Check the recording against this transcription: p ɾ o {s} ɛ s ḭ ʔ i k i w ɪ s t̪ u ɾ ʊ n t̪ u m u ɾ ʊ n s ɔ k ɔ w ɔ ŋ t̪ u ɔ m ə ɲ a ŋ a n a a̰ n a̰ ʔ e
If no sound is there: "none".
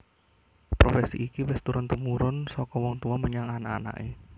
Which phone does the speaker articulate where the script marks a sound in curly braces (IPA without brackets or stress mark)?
f